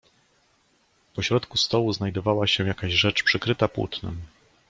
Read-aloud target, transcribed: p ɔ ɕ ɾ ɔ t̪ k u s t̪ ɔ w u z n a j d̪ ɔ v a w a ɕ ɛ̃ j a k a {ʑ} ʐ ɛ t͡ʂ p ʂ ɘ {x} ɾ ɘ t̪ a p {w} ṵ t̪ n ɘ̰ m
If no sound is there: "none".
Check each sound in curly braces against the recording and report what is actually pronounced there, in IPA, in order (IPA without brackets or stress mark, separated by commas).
ʑ, k, w